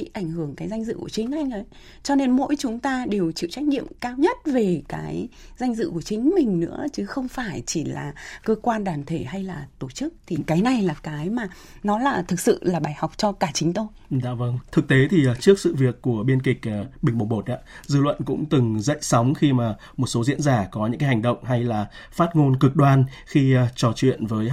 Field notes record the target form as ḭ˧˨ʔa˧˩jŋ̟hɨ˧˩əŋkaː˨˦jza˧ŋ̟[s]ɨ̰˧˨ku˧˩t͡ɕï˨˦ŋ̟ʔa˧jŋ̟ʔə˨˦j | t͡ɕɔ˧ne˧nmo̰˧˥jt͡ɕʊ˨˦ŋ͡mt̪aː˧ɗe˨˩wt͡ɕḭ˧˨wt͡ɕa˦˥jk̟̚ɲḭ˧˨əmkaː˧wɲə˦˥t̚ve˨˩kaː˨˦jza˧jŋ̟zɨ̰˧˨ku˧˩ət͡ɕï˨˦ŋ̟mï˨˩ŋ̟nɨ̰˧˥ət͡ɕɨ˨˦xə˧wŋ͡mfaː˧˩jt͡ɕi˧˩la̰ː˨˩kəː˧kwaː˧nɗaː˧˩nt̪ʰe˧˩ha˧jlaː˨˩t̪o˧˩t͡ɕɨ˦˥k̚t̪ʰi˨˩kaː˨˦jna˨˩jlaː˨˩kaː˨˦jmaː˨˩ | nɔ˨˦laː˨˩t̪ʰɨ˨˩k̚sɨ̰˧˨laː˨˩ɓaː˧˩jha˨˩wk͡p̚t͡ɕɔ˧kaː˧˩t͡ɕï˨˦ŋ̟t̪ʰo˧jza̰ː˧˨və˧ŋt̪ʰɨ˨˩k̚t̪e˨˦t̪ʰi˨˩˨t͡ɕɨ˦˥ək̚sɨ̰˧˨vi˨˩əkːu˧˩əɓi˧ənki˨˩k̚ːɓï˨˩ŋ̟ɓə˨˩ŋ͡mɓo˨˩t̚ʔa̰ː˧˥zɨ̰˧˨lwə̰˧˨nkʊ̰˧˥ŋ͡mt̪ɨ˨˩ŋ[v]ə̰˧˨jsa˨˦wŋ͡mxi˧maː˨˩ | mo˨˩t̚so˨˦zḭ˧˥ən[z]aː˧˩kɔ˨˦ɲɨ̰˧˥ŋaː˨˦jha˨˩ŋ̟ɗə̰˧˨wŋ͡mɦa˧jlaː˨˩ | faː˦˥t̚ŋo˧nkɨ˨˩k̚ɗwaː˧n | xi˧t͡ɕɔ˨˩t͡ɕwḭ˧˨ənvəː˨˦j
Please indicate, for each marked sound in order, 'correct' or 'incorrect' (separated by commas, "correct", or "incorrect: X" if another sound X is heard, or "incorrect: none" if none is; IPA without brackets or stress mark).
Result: incorrect: z, incorrect: z, correct